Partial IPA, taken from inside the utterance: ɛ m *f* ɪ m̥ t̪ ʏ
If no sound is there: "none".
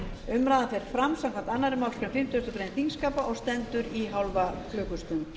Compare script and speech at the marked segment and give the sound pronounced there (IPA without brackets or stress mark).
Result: f